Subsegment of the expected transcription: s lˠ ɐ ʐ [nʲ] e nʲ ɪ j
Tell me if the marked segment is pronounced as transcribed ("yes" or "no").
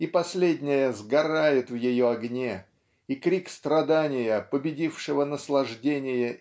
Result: no